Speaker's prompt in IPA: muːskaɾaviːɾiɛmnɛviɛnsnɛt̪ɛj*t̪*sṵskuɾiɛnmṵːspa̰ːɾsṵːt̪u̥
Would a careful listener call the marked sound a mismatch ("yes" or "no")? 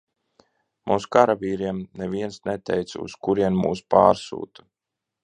no